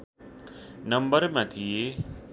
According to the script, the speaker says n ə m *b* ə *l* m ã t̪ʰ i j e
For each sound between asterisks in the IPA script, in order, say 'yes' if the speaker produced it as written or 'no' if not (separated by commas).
yes, no